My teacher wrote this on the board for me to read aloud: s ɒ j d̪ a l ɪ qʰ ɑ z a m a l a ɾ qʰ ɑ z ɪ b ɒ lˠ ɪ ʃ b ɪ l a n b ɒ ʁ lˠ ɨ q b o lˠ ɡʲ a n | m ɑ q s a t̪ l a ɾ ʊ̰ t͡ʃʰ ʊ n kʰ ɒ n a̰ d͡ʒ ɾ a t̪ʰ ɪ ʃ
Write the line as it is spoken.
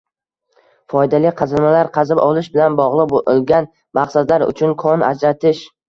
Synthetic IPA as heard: f ɒ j d̪ a l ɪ qʰ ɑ z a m a l a ɾ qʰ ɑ z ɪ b ɒ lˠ ɪ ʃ b ɪ l a n b ɒ ʁ lˠ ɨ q b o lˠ ɡʲ a n | m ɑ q s a d̪ l a ɾ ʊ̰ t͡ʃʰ ʊ n kʰ ɒ n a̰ d͡ʒ ɾ a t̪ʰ ɪ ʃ